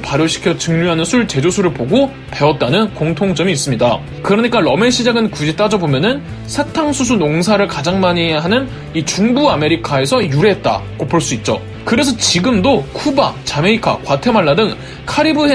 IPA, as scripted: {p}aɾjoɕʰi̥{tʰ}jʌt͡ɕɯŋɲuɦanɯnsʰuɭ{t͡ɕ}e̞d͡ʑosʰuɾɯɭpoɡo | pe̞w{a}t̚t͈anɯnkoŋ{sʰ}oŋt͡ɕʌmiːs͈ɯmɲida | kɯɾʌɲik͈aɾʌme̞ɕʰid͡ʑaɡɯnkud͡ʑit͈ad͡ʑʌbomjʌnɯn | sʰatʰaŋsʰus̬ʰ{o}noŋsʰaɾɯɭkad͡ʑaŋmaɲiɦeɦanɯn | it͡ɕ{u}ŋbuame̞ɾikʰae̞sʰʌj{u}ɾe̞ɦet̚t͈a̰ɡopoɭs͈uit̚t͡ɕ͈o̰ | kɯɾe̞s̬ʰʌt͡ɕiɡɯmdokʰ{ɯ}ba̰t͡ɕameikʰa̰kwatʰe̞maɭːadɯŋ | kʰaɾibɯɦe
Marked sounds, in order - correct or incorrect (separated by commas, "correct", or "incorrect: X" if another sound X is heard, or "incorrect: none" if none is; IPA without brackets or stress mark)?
correct, incorrect: kʰ, correct, incorrect: ʌ, incorrect: tʰ, incorrect: u, correct, correct, incorrect: u